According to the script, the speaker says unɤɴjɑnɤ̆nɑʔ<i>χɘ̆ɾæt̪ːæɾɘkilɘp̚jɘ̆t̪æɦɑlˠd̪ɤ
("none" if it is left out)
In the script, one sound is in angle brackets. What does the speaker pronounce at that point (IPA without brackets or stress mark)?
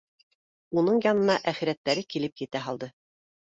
æ